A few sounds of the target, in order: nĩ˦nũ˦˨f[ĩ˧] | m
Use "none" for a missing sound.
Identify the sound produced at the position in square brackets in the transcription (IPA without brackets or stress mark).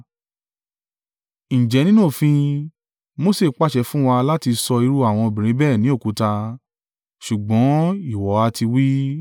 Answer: ĩ˧